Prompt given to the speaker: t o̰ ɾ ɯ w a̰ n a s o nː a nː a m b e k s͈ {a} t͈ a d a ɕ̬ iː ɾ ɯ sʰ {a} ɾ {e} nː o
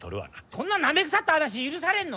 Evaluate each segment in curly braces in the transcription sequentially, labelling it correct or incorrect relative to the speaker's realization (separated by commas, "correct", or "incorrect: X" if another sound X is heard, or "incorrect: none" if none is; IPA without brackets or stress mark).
correct, correct, correct